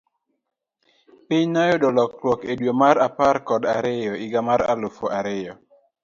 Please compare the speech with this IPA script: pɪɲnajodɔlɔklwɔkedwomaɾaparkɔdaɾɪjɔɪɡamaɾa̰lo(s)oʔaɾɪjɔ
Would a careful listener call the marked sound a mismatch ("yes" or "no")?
yes